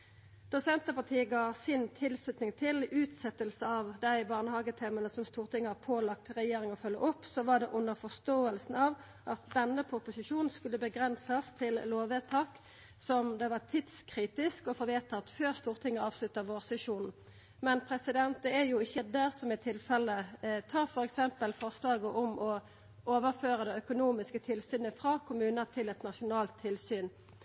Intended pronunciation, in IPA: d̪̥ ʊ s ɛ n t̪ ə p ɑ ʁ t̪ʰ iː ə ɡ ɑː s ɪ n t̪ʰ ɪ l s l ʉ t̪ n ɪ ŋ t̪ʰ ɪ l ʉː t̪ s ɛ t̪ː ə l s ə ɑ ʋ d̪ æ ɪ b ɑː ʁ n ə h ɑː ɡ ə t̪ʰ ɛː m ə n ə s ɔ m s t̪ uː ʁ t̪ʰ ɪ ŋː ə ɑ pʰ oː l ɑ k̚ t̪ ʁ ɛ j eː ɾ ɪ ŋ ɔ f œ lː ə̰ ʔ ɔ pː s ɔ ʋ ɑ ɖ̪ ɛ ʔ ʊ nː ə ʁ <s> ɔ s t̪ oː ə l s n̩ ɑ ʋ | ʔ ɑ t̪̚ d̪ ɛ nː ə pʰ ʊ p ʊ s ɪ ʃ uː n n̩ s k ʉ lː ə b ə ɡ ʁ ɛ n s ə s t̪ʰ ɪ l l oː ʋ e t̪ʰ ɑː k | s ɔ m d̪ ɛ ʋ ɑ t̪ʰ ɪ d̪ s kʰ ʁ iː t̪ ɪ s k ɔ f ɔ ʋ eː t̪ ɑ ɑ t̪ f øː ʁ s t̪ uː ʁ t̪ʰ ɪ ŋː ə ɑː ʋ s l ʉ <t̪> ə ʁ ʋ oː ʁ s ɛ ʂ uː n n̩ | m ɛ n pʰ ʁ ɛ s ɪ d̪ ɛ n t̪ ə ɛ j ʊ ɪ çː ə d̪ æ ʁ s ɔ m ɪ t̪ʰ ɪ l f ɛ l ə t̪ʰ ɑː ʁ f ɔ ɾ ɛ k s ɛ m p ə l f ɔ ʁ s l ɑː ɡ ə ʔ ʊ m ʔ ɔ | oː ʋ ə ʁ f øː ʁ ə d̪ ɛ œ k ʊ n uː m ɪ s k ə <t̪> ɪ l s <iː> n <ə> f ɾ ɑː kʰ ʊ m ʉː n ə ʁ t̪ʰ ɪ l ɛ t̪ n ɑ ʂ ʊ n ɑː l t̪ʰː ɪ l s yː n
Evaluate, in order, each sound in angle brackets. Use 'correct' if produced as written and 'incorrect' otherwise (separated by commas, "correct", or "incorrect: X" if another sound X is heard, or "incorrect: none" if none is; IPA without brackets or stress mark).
incorrect: f, correct, incorrect: t̪ʰ, incorrect: yː, correct